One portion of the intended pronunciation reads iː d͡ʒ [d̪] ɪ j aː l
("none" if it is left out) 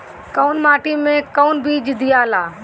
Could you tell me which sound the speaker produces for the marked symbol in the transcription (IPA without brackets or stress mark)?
d̪